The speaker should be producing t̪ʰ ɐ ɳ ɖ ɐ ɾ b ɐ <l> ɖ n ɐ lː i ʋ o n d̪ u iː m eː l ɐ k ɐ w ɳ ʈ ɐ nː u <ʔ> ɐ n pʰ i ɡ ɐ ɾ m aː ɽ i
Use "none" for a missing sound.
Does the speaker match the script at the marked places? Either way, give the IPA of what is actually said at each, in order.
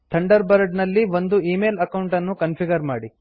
ɾ, k

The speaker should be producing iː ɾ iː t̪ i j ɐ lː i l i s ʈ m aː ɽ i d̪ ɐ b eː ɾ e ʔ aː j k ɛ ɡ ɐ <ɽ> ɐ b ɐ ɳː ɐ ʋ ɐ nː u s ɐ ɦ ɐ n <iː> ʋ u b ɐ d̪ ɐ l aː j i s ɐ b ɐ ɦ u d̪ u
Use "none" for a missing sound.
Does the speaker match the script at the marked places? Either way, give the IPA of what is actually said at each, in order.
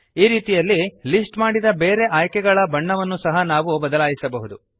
ɭ, aː

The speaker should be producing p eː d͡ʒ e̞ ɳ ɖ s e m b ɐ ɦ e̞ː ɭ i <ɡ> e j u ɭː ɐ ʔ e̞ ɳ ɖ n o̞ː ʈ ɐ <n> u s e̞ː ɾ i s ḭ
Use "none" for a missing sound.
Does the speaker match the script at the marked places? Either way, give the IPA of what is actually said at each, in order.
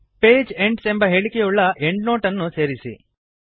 k, nː

